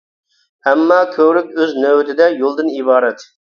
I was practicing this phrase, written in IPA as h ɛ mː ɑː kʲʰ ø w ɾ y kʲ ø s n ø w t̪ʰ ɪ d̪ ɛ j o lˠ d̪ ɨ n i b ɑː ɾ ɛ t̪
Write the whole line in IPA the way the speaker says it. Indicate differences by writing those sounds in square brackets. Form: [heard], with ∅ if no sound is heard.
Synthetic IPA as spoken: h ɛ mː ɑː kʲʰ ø w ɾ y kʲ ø [z] n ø w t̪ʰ ɪ d̪ ɛ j o lˠ d̪ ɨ n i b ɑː ɾ ɛ t̪